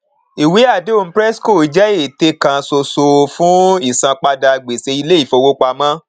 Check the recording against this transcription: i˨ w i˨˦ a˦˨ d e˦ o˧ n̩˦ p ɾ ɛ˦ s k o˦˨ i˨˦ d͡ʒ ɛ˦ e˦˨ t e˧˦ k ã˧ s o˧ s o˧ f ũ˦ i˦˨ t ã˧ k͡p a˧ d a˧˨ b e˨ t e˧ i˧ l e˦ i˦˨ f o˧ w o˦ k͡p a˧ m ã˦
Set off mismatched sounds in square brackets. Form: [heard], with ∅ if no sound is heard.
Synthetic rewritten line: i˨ w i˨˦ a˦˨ d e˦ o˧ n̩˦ p ɾ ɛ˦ s k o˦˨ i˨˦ d͡ʒ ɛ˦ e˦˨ t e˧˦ k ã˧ s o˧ s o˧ f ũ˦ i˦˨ [s] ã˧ k͡p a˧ d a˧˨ [ɡ͡b] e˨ [s] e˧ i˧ l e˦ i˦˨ f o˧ w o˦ k͡p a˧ m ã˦

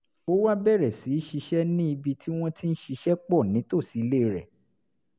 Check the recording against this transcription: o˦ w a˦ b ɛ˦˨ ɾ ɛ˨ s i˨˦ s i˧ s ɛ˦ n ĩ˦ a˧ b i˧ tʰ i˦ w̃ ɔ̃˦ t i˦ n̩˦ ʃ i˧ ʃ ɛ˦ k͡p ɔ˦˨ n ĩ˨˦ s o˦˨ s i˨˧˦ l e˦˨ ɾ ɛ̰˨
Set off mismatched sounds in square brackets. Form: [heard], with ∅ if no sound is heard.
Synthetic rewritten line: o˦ w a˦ b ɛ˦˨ ɾ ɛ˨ s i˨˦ [ʃ] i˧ [ʃ] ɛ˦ n ĩ˦ [i˧] b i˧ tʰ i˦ w̃ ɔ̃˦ t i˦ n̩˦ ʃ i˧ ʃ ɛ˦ k͡p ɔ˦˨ n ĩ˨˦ [t] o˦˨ s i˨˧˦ l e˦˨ ɾ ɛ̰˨

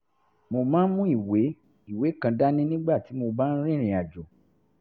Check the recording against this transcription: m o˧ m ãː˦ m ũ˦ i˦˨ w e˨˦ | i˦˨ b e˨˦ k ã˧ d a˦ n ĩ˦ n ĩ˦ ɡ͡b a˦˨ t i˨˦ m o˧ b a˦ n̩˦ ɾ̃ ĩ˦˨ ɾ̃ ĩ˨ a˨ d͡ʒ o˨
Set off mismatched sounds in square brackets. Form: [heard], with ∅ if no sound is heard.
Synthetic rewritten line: m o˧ m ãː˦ m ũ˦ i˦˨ w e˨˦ | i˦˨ [w] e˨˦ k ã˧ d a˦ n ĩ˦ n ĩ˦ ɡ͡b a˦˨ t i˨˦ m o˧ b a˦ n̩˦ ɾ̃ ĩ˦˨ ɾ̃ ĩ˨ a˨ d͡ʒ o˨

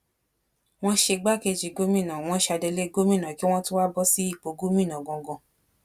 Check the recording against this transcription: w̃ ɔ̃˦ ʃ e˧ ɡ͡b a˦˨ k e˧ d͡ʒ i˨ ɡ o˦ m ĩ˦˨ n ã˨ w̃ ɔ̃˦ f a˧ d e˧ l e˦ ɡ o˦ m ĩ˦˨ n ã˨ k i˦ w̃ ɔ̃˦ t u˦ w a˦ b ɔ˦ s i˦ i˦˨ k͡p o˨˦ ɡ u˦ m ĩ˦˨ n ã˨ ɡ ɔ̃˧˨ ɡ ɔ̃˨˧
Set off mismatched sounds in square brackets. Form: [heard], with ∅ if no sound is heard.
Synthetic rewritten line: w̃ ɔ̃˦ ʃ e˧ ɡ͡b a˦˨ k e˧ d͡ʒ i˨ ɡ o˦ m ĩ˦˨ n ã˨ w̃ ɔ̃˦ [ʃ] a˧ d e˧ l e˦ ɡ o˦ m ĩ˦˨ n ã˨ k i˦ w̃ ɔ̃˦ t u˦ w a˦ b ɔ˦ s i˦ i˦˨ k͡p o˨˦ ɡ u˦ m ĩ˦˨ n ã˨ ɡ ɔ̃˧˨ ɡ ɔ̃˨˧

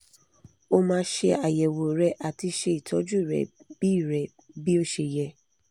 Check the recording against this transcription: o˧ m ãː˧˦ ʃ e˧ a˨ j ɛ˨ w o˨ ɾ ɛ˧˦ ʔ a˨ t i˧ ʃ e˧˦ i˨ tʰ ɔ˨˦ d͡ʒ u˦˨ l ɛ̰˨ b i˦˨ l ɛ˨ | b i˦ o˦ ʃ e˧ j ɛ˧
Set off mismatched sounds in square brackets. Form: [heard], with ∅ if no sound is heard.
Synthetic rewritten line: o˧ m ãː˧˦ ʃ e˧ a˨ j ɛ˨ w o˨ ɾ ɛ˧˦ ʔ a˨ t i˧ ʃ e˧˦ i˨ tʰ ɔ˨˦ d͡ʒ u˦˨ [ɾ] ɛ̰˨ b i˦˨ [ɾ] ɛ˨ | b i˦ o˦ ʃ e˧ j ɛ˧

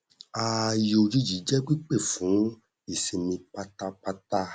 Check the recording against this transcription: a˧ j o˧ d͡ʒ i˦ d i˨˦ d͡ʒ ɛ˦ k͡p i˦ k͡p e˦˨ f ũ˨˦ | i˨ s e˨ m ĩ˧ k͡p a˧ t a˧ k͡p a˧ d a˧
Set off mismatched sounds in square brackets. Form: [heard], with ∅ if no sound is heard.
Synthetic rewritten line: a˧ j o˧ d͡ʒ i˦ [d͡ʒ] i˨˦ d͡ʒ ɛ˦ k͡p i˦ k͡p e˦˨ f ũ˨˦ | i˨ s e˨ m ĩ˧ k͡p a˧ t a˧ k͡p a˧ [t] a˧

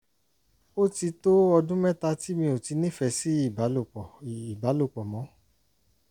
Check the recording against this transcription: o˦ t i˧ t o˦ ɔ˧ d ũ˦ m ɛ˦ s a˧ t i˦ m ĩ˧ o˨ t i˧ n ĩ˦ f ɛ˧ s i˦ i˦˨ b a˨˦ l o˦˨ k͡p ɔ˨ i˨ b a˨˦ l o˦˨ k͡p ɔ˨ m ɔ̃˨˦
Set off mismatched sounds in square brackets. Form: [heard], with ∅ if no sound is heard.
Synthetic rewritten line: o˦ t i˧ t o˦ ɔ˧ d ũ˦ m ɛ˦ [t] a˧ t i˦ m ĩ˧ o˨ t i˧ n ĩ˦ f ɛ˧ s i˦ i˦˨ b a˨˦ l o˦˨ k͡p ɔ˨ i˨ b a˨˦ l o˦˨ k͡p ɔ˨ m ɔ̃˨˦

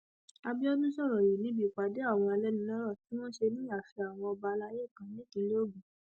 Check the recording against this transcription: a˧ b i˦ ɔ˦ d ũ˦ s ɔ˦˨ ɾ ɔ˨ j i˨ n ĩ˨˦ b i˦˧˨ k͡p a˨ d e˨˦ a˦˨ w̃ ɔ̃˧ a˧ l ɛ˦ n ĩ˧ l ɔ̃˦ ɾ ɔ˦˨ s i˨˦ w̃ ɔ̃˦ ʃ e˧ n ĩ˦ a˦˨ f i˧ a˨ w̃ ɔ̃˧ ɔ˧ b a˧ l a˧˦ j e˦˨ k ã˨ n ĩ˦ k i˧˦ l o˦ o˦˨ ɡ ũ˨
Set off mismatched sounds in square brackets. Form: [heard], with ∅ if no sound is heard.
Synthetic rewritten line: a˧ b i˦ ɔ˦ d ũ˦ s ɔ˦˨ ɾ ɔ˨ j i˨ n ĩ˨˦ b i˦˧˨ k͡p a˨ d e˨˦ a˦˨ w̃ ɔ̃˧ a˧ l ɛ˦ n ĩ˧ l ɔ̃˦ ɾ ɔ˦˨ [t] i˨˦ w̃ ɔ̃˦ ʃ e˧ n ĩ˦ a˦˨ f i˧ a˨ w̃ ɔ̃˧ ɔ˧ b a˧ l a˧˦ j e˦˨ k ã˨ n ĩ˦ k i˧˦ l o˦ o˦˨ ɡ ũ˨

